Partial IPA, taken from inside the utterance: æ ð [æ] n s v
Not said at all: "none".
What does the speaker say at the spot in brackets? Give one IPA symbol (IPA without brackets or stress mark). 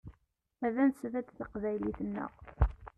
æ